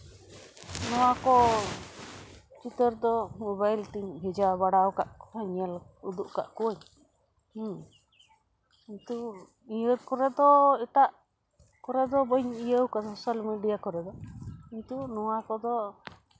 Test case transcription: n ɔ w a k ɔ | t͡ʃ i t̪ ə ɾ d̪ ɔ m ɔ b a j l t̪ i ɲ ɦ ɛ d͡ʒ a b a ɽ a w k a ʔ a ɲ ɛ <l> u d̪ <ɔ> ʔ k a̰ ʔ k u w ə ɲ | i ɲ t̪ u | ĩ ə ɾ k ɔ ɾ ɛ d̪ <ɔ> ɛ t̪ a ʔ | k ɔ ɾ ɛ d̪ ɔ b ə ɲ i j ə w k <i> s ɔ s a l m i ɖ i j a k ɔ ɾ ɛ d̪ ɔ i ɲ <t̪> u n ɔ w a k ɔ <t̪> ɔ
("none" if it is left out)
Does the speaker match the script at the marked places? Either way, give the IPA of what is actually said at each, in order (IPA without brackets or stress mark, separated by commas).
l, u, ɔ, a, t̪, d̪